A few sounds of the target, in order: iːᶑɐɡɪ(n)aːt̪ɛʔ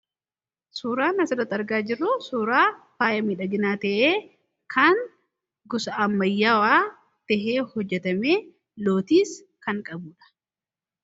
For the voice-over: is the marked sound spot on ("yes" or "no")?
yes